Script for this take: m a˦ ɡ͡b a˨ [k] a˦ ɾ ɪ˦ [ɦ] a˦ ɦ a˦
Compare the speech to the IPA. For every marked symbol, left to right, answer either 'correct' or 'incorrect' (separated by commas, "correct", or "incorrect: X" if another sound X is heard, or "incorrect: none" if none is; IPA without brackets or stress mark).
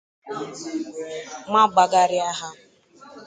incorrect: ɡ, incorrect: none